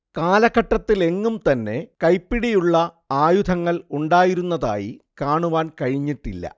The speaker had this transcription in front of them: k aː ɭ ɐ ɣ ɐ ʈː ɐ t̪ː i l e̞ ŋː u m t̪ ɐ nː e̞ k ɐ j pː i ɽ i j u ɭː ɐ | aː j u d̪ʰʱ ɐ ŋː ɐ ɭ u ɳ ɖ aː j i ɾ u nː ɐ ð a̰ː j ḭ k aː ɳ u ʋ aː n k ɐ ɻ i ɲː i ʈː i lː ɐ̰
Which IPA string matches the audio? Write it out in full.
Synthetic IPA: k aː l ɐ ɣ ɐ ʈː ɐ t̪ː i l e̞ ŋː u m t̪ ɐ nː e̞ k ɐ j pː i ɽ i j u ɭː ɐ | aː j u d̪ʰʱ ɐ ŋː ɐ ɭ u ɳ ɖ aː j i ɾ u nː ɐ ð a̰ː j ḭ k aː ɳ u ʋ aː n k ɐ ɻ i ɲː i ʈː i lː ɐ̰